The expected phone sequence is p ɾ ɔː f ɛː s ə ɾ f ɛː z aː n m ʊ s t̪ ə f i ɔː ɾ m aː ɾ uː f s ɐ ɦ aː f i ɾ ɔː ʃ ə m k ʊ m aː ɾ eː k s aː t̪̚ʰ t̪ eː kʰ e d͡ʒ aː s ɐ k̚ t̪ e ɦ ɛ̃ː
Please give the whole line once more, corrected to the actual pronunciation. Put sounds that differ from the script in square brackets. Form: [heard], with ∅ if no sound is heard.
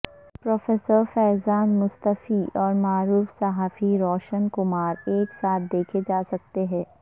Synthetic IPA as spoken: p ɾ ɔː f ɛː s ə ɾ f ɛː z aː n m ʊ s t̪ ə f i ɔː ɾ m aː ɾ uː f s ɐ ɦ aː f i ɾ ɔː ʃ ə [n] k ʊ m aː ɾ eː k s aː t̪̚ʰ [d̪] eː kʰ e d͡ʒ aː s ɐ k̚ t̪ e ɦ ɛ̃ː